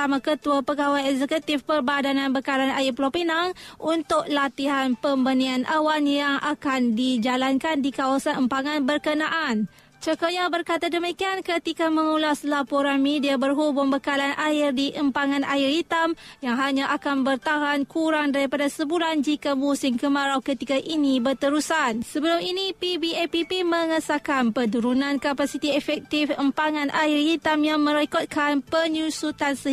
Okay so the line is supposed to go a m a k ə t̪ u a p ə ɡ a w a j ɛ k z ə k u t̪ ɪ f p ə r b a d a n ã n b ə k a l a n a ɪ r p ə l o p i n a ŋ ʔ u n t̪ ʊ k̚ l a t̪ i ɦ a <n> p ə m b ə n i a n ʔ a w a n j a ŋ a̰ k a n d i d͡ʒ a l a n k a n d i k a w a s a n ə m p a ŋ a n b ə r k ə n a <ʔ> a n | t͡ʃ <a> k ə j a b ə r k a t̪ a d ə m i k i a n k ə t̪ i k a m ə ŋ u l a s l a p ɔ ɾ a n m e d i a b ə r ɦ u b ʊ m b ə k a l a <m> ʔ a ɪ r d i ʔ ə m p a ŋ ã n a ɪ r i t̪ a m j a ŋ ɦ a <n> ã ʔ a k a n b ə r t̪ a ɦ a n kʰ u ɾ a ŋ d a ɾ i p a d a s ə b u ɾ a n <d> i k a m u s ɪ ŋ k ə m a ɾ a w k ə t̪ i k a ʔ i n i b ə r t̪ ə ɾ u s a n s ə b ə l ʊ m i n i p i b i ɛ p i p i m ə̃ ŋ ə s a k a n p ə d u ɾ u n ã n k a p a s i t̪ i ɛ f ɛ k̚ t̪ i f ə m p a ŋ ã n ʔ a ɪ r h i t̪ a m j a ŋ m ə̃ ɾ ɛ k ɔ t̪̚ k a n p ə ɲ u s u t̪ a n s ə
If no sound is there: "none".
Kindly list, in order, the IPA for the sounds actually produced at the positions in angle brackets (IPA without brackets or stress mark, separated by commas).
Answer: n, ʔ, ə, n, ɲ, d͡ʒ